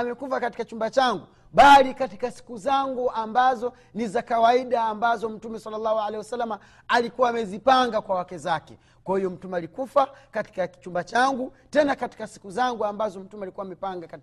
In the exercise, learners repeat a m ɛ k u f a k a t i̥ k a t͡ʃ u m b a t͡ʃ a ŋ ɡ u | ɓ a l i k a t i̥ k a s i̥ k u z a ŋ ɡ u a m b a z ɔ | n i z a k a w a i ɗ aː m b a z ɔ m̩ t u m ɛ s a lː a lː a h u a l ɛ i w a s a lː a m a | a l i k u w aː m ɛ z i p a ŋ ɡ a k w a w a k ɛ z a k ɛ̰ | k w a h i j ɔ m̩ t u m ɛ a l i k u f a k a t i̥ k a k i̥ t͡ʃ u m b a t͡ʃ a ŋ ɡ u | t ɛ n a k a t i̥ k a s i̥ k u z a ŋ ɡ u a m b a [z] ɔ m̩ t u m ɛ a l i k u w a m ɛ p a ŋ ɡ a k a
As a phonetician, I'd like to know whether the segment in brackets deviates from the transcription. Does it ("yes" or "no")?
no